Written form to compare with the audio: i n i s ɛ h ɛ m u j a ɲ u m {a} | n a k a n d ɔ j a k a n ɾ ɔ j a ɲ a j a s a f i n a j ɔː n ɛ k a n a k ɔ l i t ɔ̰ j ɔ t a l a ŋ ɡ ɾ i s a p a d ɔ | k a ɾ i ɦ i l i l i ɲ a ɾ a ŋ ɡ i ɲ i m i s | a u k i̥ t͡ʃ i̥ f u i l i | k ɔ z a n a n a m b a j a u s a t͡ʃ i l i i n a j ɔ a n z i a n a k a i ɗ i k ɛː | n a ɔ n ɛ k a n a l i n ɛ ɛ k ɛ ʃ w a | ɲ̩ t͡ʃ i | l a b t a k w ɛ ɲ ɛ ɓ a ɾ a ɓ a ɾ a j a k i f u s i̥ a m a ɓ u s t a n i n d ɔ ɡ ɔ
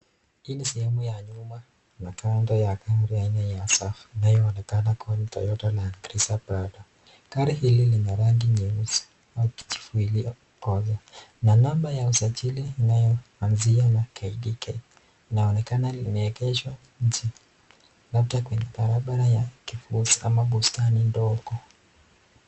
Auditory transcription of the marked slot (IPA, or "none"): a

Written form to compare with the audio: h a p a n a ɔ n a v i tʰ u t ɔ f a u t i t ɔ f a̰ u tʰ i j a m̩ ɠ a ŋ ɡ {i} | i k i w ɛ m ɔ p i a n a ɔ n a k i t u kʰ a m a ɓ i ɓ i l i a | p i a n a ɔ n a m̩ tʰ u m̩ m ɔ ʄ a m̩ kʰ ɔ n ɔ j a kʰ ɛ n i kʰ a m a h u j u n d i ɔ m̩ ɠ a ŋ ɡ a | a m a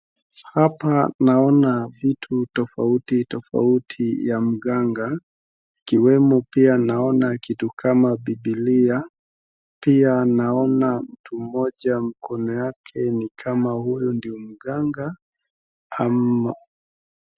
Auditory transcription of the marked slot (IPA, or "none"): a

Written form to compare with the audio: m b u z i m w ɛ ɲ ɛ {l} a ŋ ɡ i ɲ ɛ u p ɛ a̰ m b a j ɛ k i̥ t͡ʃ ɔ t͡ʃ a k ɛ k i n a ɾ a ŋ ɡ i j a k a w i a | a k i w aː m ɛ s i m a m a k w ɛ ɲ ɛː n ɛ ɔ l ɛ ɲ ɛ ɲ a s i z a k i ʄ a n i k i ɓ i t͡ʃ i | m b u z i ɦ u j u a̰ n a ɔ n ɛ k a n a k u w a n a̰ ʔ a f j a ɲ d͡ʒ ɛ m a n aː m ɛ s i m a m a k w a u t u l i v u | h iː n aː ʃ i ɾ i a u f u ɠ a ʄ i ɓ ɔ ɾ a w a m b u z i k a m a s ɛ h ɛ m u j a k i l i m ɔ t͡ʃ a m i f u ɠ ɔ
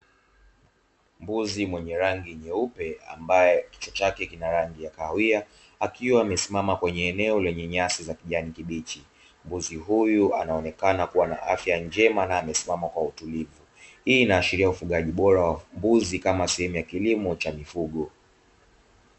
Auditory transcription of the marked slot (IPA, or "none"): ɾ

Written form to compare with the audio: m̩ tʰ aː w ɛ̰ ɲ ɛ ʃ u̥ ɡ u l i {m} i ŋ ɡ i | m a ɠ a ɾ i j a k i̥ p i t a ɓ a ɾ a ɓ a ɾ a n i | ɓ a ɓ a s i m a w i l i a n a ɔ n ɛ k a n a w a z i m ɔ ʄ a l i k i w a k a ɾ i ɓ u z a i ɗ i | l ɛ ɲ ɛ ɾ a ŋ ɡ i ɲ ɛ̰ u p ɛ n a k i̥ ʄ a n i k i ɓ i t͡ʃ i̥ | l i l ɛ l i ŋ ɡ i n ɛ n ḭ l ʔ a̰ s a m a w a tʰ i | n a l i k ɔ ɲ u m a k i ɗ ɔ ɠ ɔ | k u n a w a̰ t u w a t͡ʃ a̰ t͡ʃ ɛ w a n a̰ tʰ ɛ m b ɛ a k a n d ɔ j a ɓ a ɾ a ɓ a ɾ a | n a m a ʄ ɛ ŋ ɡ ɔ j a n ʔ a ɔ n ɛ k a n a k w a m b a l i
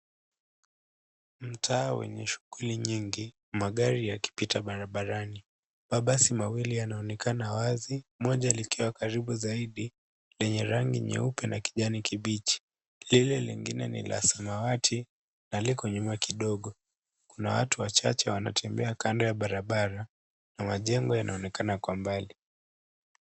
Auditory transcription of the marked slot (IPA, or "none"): ɲ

